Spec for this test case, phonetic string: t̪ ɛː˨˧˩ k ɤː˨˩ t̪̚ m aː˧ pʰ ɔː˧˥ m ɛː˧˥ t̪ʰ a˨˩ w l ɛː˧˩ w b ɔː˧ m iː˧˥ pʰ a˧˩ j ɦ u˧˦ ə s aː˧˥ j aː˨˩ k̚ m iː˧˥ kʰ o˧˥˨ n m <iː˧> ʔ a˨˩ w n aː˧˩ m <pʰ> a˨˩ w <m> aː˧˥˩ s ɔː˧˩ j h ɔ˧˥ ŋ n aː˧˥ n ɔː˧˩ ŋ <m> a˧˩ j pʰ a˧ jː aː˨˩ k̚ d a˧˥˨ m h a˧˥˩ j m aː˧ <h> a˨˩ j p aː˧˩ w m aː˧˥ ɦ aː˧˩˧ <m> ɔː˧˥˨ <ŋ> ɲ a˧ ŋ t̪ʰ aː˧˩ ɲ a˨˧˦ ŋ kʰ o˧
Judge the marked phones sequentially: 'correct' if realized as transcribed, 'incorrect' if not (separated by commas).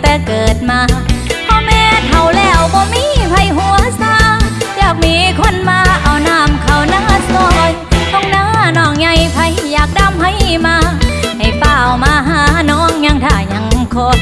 incorrect, incorrect, incorrect, incorrect, correct, incorrect, correct